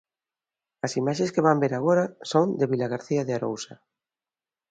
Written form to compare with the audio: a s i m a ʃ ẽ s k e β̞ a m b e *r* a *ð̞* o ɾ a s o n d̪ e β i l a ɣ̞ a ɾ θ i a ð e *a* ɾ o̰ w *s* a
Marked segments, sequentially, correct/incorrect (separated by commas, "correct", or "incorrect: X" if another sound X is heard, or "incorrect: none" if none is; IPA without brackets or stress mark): incorrect: ɾ, incorrect: ɣ̞, correct, correct